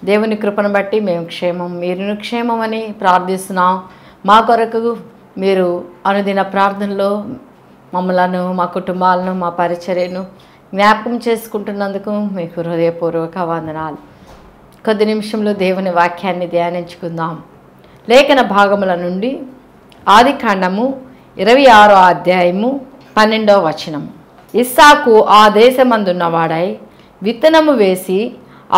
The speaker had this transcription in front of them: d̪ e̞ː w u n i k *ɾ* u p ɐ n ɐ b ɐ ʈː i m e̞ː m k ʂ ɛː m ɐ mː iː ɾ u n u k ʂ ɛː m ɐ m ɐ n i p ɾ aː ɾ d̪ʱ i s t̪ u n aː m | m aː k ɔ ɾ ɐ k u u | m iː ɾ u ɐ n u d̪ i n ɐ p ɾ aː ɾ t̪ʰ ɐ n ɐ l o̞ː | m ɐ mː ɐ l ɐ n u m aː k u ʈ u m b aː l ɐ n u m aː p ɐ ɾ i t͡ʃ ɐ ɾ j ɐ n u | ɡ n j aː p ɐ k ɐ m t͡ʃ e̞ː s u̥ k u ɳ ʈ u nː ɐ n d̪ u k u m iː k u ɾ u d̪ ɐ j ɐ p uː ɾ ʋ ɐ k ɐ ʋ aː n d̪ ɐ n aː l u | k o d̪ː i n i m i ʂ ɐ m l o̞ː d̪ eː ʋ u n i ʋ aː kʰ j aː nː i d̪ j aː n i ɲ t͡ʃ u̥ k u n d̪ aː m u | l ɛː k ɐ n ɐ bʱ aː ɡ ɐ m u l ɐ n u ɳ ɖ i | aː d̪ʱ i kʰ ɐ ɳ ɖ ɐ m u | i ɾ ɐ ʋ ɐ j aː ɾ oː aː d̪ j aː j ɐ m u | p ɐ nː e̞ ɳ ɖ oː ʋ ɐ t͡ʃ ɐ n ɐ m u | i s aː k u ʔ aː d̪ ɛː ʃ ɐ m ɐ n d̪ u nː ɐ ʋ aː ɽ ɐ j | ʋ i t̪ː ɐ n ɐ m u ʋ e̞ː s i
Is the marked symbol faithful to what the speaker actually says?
yes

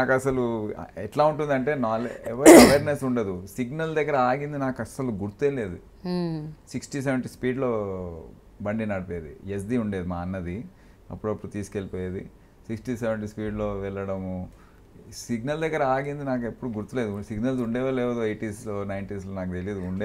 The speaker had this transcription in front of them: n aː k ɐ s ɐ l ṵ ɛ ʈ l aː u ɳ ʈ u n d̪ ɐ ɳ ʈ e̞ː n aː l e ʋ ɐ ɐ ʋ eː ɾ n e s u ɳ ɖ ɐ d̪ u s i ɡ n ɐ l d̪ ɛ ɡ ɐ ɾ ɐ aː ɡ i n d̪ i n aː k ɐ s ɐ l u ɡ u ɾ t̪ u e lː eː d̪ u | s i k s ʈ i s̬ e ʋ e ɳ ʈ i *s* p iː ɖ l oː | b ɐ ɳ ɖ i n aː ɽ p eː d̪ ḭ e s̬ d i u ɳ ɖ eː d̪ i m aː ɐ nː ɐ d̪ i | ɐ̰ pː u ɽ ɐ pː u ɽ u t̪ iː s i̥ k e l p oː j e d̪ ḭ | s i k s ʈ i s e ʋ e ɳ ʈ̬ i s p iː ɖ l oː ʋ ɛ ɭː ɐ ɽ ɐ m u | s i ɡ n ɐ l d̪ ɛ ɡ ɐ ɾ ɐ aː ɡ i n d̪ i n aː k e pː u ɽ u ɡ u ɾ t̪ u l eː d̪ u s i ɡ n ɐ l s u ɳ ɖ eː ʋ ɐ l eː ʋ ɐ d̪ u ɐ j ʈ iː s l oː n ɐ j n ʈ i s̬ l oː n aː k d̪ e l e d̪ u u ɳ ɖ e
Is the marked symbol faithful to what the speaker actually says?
yes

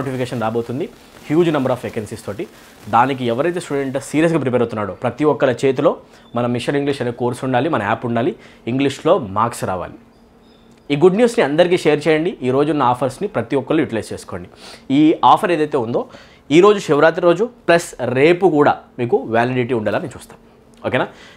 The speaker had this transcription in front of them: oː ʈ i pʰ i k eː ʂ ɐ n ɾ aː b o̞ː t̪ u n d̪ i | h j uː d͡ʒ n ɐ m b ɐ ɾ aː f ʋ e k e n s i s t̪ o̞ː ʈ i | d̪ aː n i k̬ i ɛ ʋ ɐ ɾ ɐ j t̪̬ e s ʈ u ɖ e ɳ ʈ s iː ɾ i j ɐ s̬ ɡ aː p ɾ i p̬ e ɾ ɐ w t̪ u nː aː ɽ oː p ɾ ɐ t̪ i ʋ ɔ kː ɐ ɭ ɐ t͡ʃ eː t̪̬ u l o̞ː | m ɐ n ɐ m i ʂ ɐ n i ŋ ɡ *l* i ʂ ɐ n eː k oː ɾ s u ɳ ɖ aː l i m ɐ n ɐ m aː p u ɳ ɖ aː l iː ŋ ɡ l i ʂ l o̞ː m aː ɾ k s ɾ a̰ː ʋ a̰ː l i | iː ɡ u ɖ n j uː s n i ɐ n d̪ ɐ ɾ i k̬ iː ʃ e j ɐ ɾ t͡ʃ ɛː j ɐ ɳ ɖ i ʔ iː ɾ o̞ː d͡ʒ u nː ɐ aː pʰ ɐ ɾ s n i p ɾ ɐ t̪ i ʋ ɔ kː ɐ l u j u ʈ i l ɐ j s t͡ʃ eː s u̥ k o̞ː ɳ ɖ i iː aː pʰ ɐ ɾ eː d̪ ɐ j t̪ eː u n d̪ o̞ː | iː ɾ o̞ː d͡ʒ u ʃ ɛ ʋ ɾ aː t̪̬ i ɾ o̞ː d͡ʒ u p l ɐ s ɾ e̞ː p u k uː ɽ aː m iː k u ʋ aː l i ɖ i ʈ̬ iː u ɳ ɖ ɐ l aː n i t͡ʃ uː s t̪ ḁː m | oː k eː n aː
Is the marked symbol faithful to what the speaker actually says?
yes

